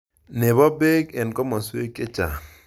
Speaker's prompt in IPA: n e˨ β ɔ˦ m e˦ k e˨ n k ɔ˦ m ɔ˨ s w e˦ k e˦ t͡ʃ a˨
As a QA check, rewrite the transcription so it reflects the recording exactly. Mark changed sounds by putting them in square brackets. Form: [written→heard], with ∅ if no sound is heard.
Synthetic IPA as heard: n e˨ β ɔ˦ [m→b] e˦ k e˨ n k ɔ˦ m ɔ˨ s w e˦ k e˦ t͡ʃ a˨